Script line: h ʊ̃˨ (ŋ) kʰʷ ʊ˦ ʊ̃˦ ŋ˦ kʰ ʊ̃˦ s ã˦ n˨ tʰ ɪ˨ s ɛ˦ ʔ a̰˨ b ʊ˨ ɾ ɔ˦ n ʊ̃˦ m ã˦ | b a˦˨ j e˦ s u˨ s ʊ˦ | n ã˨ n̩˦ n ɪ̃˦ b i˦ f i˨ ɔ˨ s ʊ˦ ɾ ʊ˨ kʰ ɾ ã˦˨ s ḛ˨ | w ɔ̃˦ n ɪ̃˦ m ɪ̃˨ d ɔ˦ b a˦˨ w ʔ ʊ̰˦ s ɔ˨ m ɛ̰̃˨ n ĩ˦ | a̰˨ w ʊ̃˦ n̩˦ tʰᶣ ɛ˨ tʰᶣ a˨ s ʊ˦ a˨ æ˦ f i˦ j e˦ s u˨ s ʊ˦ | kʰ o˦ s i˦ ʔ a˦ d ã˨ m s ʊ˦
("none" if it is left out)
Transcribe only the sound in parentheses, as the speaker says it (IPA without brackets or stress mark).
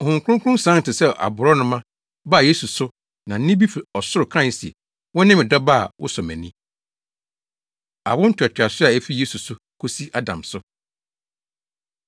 ŋ